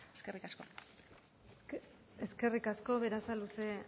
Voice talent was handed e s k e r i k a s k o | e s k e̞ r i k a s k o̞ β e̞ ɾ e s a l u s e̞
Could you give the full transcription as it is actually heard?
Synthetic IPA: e s k e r i k a s k o | e s k e̞ r i k a s k o̞ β e̞ ɾ a s a l u s e̞